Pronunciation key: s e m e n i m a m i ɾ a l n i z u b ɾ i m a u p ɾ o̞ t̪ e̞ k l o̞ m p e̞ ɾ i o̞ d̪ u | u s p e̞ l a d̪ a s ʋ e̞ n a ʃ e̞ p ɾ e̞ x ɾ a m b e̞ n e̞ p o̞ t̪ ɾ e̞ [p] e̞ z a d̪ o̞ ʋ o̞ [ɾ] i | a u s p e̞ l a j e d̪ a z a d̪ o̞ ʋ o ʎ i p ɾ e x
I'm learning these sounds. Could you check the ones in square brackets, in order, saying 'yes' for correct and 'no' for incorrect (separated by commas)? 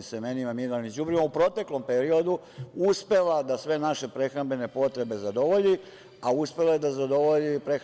no, no